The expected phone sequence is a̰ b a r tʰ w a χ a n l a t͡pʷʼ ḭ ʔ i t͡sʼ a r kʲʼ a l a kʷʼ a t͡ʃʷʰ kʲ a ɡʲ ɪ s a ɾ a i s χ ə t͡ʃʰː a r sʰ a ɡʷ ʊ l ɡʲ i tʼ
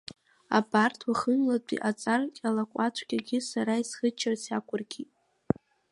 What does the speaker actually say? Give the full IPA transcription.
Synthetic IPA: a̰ b a r tʰ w a χ ə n l a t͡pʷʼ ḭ ʔ a t͡sʼ a r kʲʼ a l a kʷʼ a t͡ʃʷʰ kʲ a ɡʲ ɪ s a ɾ a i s χ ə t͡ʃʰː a r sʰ a kʷ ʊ r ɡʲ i tʼ